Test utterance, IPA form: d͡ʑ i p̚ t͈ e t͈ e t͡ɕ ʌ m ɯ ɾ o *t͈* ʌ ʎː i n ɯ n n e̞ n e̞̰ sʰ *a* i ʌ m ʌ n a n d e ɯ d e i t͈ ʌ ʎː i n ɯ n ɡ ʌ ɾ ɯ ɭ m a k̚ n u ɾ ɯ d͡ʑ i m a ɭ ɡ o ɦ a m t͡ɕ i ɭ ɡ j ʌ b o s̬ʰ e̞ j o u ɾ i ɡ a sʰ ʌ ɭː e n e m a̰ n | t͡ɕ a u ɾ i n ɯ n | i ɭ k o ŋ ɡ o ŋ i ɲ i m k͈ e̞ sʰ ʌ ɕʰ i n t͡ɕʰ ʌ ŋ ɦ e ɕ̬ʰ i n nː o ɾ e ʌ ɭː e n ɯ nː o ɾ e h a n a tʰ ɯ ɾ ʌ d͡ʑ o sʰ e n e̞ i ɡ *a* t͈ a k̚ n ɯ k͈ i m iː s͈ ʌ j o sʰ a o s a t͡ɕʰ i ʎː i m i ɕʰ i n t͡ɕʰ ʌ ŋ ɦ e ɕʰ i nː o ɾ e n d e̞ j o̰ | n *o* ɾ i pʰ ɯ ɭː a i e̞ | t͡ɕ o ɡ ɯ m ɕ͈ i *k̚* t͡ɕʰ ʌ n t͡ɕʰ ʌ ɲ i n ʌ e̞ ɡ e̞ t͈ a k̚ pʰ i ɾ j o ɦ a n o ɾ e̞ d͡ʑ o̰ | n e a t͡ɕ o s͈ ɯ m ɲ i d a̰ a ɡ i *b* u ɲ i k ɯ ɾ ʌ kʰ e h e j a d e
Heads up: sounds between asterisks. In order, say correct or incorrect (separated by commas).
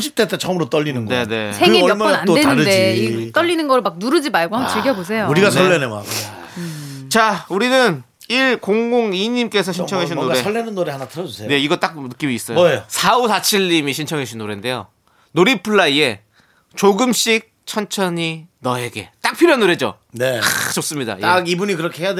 correct, incorrect, incorrect, correct, correct, correct